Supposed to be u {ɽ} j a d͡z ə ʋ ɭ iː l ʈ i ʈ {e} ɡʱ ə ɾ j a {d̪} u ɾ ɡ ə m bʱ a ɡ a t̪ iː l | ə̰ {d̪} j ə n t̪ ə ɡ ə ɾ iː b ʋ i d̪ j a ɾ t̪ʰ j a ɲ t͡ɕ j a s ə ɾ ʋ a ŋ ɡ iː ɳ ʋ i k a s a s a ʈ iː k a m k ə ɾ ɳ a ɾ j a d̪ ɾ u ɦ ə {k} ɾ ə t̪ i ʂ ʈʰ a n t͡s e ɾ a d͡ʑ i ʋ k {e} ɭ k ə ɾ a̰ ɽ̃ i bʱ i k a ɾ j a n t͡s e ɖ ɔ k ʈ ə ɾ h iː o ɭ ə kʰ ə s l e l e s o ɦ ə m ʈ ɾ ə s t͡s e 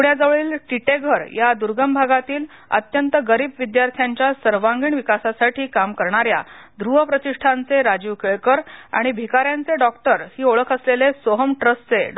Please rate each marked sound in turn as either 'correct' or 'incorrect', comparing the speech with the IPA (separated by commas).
correct, correct, correct, incorrect, incorrect, correct